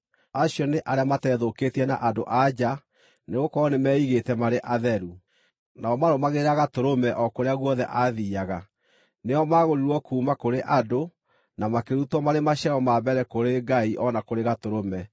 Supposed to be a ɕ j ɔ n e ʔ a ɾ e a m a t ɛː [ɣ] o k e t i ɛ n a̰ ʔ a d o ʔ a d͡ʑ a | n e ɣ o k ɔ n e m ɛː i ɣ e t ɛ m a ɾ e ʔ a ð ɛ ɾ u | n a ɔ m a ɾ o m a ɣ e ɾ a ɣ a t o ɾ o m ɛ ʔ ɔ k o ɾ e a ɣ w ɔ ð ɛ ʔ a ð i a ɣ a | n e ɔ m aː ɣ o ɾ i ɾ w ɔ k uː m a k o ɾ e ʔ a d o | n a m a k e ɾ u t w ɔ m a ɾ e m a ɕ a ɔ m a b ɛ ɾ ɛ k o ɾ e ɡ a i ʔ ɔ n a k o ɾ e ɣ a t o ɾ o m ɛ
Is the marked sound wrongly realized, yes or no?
yes